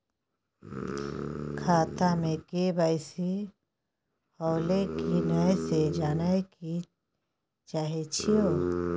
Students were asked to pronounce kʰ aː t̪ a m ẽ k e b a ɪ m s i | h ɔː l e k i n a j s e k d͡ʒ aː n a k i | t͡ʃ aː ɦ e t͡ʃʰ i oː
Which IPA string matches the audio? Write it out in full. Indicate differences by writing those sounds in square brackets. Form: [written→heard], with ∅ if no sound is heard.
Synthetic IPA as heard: kʰ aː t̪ a m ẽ k e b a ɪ [m→∅] s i | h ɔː l e k i n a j s e [k→∅] d͡ʒ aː n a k i | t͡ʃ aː ɦ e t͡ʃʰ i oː